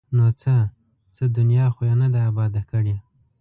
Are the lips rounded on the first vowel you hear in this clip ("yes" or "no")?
yes